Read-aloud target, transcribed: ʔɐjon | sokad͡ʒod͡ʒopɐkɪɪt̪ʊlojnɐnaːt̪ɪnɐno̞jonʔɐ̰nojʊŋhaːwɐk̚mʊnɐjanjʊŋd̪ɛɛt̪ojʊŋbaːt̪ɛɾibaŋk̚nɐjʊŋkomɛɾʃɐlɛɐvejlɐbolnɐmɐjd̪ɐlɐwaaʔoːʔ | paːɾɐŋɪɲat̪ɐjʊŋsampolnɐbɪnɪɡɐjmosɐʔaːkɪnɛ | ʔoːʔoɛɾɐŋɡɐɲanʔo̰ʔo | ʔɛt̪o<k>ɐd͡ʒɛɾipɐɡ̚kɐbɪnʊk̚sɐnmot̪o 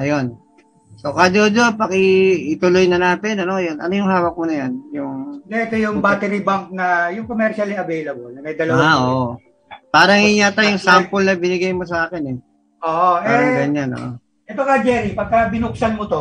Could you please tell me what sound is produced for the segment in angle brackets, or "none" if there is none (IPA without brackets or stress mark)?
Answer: k